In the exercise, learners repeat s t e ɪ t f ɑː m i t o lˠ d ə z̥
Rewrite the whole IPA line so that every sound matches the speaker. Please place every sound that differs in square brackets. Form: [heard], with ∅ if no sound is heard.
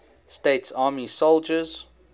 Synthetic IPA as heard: s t e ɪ t [s] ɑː m i [s] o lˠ [d͡ʒ] ə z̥